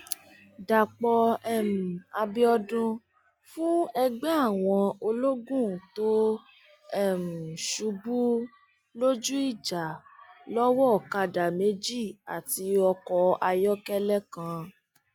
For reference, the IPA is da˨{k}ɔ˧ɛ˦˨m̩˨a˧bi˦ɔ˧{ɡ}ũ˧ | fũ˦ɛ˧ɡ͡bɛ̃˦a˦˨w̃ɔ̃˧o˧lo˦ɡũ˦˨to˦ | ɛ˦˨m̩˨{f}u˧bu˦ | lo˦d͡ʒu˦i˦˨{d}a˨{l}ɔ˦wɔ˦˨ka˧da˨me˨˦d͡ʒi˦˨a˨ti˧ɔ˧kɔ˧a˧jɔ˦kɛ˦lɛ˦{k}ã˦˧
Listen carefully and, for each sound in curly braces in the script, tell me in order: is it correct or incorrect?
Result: incorrect: k͡p, incorrect: d, incorrect: ʃ, incorrect: d͡ʒ, correct, correct

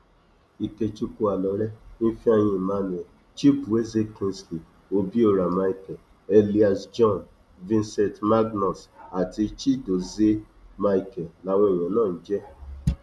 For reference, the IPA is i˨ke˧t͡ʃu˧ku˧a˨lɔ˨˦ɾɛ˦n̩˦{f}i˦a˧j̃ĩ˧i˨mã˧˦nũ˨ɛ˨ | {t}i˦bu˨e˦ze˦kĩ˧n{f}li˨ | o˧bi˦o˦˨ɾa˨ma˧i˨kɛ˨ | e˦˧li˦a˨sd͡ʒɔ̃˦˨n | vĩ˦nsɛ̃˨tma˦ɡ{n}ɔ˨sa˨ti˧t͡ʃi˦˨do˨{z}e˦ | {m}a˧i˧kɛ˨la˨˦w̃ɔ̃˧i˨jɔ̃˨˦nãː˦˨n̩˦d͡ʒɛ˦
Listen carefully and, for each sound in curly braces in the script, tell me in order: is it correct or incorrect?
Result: correct, incorrect: t͡ʃ, incorrect: s, correct, correct, correct

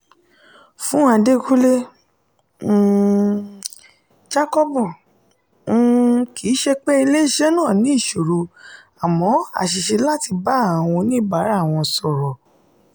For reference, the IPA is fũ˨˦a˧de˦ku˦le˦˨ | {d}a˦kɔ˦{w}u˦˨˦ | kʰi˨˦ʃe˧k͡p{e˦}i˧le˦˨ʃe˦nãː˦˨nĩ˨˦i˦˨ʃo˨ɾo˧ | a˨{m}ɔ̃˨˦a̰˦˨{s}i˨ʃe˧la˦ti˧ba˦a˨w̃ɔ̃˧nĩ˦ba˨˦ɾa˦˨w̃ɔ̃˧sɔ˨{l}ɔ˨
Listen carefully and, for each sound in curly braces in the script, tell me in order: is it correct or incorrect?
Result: incorrect: d͡ʒ, incorrect: b, correct, correct, incorrect: ʃ, incorrect: ɾ

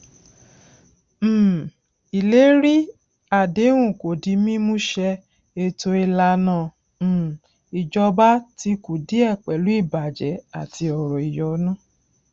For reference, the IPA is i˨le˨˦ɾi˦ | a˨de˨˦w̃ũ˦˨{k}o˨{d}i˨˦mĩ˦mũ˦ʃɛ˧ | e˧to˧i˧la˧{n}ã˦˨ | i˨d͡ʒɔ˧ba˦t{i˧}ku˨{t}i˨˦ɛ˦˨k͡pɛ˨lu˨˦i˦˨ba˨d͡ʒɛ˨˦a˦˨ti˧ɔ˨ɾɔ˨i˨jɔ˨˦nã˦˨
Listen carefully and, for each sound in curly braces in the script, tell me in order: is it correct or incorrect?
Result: correct, correct, correct, correct, incorrect: d

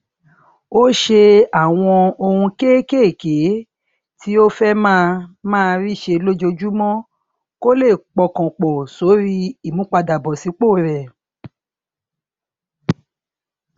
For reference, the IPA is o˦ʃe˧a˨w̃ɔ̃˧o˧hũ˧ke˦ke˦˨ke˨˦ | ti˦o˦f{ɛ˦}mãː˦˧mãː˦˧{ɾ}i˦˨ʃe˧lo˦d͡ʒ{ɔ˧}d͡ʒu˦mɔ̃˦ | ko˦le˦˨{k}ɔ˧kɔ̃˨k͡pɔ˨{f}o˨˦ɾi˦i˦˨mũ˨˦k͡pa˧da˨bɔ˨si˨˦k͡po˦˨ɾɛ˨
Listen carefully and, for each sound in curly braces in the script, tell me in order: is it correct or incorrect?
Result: correct, correct, incorrect: o˧, incorrect: k͡p, incorrect: s

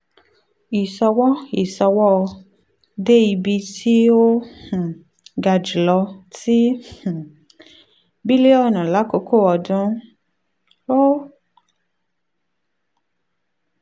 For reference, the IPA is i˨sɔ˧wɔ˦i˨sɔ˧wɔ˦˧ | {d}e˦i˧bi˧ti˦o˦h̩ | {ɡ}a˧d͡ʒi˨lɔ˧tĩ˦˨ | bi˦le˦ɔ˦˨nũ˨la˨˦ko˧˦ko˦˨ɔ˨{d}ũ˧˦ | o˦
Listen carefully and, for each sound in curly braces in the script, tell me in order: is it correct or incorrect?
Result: correct, correct, correct

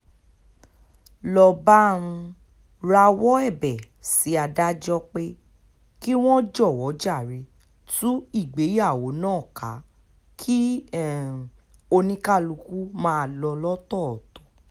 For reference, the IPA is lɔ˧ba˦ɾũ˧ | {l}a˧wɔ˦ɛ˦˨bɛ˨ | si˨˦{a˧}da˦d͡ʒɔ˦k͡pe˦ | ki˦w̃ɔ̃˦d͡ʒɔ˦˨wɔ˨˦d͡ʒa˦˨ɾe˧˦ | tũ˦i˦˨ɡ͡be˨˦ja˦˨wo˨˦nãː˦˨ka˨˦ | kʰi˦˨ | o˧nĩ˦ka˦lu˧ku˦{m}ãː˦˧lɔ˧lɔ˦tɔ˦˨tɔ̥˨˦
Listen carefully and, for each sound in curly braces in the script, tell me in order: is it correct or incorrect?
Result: incorrect: ɾ, correct, correct

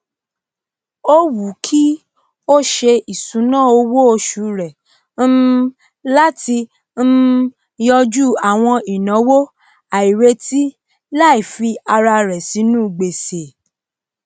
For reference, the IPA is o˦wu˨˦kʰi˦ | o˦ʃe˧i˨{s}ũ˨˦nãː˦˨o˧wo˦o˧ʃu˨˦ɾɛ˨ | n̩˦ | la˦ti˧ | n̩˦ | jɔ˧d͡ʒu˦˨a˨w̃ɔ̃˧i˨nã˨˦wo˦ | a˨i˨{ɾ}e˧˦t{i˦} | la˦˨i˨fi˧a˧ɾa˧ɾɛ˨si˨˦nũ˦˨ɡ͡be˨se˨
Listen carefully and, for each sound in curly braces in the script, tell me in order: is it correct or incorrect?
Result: correct, correct, correct

